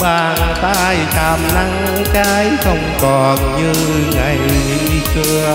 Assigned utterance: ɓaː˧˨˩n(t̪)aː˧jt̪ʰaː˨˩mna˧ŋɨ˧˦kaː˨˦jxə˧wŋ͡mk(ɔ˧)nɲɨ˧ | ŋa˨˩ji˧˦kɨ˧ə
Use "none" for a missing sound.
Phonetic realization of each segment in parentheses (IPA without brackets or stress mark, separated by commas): t̪, ɔ˨˩